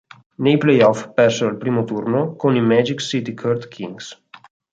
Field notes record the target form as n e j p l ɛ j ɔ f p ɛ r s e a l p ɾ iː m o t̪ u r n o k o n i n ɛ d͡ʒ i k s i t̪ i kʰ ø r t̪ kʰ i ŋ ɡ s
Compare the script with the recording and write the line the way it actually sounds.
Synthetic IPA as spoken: n e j p l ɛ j ɔ f p ɛ r s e a l p ɾ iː m o t̪ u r n o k o n i m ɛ d͡ʒ i k s i t̪ i kʰ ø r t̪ kʰ i ŋ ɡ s